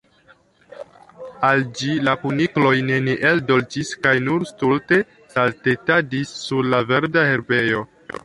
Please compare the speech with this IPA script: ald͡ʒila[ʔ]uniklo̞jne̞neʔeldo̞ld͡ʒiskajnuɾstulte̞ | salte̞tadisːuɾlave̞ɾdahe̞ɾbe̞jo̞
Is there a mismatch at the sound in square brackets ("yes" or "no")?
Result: yes